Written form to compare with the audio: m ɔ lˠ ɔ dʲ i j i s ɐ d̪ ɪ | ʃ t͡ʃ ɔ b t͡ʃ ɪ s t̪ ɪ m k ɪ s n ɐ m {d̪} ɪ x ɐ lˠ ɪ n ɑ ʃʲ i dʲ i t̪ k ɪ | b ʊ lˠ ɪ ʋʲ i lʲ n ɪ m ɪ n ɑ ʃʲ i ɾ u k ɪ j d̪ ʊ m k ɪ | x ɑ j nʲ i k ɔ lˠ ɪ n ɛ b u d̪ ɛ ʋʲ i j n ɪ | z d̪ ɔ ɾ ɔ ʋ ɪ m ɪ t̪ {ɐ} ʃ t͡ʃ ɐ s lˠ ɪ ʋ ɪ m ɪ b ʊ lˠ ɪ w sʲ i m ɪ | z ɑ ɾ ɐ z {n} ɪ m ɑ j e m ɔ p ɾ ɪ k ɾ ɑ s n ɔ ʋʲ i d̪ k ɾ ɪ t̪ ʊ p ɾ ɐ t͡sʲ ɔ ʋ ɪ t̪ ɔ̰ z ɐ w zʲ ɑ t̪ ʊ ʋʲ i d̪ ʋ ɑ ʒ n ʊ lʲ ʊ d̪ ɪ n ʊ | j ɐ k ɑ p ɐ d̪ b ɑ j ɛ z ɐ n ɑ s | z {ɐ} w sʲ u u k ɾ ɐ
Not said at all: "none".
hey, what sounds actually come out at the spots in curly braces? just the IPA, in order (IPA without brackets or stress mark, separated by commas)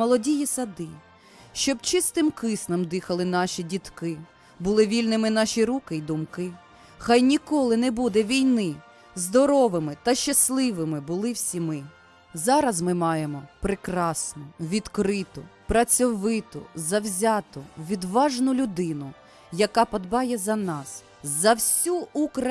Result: d̪, ɐ, m, ɐ